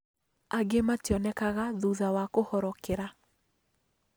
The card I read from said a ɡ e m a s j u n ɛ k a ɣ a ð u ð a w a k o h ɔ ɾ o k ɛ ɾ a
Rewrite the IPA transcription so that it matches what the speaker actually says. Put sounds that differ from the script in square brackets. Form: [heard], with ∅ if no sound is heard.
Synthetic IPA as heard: a ɡ e m a [t] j [ɔ] n ɛ k a ɣ a ð u ð a w a k o h ɔ ɾ [ɔ] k [e] ɾ a